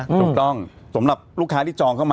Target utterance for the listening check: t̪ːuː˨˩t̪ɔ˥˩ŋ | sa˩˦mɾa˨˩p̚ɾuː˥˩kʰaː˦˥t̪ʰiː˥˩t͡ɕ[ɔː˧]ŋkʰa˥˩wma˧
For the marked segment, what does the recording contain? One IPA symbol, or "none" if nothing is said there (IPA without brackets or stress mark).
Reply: ɔː˧